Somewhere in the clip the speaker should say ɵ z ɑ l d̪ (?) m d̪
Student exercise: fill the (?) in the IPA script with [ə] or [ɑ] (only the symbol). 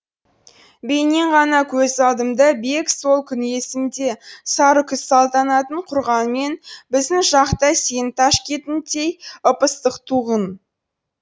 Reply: ə